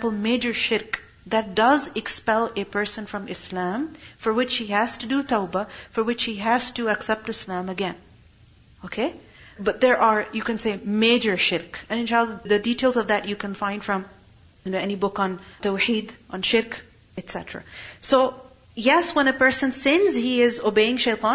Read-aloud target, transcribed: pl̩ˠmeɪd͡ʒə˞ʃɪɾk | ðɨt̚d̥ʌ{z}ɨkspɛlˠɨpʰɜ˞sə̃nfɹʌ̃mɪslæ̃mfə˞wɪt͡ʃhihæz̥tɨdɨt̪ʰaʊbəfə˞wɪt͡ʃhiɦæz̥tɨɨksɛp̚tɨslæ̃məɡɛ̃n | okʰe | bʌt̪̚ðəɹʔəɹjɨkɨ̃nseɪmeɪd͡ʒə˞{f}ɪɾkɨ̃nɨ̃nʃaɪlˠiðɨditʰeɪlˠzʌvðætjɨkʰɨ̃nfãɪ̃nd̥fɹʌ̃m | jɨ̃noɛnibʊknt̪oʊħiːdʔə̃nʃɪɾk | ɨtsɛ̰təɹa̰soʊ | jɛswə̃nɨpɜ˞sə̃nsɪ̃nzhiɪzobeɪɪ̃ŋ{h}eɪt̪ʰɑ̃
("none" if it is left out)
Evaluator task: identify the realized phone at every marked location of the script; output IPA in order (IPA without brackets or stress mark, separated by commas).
z, ʃ, ʃ